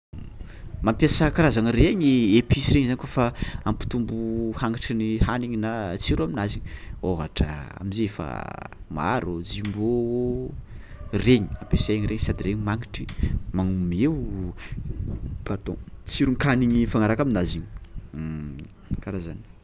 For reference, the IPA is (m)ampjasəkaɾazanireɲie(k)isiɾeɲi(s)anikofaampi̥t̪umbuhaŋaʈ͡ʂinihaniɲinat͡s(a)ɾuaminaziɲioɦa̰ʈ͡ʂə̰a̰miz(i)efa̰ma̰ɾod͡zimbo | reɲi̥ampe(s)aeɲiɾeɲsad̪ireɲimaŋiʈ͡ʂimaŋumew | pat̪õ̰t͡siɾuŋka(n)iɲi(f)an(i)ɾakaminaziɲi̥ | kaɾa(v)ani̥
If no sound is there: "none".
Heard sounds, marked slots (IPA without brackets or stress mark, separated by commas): m, p, z, i, e, s, n, f, a, z